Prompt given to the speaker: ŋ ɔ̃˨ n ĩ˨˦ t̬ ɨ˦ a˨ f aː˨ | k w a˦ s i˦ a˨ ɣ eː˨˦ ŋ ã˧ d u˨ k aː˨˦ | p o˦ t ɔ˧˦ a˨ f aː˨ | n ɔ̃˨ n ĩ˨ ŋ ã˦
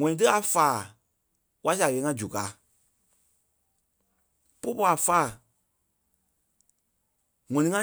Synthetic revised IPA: ŋ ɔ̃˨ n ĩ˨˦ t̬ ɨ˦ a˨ f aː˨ | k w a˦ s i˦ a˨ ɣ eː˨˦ ŋ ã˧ d͡ʒ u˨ k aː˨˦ | p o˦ p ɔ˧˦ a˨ f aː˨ | ŋ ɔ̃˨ n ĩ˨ ŋ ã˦